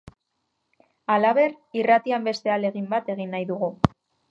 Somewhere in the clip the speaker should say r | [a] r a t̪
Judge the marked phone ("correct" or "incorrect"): incorrect